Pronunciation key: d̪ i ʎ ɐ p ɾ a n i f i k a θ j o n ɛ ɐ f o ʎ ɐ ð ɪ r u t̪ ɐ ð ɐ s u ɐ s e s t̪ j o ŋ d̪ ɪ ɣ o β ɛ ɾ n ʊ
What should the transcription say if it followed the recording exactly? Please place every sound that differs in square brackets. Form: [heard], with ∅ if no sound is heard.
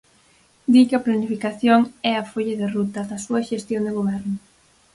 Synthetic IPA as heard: d̪ i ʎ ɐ p [l] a n i f i k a θ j o [ŋ] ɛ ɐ f o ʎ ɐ ð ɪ r u t̪ ɐ ð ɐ s u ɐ [ʃ] e s t̪ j o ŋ d̪ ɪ ɣ o β ɛ ɾ n ʊ